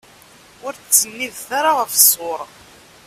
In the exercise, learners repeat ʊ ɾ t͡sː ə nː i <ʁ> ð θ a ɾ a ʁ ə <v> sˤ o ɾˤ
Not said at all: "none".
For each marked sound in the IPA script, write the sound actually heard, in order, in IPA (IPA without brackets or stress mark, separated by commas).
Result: none, f